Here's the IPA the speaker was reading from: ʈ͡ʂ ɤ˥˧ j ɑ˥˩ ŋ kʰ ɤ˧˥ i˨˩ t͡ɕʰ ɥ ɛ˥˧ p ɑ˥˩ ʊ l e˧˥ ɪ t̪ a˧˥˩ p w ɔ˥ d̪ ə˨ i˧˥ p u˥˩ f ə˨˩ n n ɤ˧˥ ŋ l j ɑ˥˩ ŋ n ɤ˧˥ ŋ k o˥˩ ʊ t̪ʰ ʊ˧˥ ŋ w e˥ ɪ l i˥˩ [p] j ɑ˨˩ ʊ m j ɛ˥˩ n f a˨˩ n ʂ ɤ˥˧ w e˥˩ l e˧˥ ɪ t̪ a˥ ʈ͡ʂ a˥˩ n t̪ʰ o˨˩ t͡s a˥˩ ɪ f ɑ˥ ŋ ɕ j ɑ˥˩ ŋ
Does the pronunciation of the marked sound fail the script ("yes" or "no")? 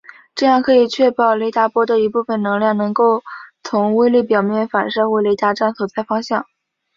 no